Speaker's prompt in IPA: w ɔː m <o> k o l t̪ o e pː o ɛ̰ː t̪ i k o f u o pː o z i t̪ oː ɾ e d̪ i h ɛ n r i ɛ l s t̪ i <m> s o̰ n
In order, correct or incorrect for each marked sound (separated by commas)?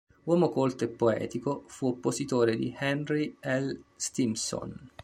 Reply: correct, correct